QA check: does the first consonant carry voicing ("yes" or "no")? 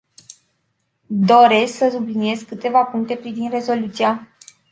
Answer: yes